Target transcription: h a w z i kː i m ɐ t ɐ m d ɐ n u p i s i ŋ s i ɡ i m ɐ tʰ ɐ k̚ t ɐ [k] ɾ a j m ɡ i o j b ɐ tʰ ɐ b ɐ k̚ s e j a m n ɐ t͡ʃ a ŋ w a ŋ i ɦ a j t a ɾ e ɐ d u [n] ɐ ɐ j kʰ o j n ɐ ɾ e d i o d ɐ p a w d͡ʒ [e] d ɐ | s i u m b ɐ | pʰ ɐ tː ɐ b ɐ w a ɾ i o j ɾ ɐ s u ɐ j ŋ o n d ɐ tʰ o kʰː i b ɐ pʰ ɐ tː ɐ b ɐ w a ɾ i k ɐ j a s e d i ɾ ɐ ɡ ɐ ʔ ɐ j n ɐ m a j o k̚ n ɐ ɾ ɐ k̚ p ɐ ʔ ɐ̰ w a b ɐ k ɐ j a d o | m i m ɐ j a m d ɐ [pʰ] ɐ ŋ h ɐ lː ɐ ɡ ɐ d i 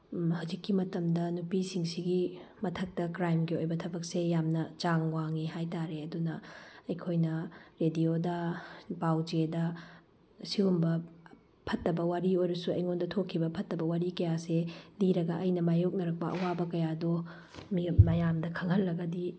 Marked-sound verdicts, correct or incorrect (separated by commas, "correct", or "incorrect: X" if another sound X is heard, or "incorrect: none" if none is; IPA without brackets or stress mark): correct, correct, correct, incorrect: kʰ